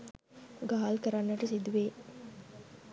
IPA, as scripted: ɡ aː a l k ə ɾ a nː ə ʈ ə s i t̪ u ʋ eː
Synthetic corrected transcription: ɡ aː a l k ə ɾ a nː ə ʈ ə s i d̪ u ʋ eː